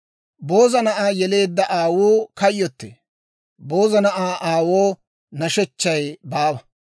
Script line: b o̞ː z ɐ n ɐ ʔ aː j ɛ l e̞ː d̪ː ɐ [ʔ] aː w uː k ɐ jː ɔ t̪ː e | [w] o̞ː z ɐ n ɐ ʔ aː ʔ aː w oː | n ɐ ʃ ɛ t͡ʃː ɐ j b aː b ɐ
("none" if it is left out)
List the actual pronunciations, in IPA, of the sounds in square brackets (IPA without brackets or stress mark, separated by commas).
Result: ʔ, b